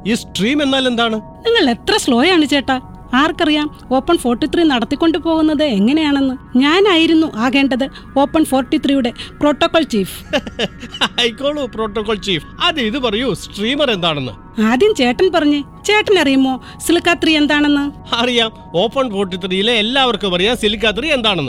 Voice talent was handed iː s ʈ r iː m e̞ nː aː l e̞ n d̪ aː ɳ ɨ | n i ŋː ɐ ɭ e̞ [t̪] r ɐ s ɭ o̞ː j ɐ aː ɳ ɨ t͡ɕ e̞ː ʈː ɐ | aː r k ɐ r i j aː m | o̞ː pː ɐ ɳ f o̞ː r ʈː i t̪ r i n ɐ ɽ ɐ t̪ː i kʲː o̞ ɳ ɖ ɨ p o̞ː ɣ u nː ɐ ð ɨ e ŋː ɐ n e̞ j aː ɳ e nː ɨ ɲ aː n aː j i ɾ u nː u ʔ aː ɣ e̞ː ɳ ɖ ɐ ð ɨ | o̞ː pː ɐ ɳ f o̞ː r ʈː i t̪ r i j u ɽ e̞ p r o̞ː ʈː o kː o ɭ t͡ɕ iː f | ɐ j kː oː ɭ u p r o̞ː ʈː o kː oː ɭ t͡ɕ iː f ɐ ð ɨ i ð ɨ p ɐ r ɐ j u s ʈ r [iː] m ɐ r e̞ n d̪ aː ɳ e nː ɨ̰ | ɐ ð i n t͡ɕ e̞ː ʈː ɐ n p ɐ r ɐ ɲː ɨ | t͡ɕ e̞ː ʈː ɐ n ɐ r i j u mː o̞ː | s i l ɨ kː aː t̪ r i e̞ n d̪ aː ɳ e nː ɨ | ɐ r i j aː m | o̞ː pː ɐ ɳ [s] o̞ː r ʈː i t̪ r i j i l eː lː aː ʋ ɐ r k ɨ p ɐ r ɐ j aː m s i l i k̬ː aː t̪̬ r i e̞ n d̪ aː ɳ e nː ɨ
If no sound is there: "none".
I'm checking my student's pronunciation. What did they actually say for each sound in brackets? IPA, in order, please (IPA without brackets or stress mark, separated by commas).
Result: t̪, iː, f